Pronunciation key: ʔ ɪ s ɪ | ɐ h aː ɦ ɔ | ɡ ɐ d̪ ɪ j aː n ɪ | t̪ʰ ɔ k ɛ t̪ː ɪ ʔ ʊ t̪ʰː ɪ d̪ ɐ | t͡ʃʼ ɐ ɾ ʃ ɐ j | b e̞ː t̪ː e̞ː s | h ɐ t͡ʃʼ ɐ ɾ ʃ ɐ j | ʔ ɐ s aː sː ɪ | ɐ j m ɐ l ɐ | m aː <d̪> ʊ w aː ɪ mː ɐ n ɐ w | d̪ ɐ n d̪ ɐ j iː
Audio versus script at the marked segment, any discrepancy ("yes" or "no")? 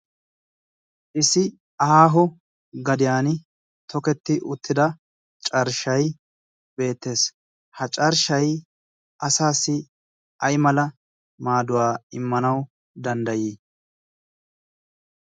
no